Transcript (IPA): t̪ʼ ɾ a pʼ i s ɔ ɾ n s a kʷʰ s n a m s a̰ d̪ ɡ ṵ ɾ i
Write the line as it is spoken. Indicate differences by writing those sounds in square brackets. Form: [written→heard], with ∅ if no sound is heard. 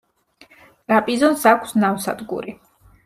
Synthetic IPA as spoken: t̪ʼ ɾ a pʼ i [s→z] ɔ [ɾ→∅] n s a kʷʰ s n a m s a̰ d̪ ɡ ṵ ɾ i